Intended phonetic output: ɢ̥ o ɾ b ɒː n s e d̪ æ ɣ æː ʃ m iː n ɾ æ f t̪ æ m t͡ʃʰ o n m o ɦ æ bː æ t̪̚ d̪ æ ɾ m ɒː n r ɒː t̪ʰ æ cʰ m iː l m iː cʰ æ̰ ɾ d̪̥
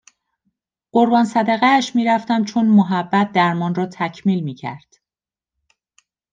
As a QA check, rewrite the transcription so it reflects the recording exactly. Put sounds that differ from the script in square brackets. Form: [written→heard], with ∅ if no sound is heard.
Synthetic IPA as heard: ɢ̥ o ɾ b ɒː n s [e→æ] d̪ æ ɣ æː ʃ m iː [n→∅] ɾ æ f t̪ æ m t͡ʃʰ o n m o ɦ æ bː æ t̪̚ d̪ æ ɾ m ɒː n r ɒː t̪ʰ æ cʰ m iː l m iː cʰ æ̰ ɾ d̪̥